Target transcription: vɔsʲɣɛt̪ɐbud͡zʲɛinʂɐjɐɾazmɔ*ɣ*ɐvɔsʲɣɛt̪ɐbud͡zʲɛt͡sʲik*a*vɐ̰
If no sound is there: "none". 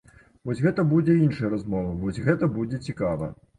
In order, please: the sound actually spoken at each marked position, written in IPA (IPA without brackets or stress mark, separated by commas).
v, a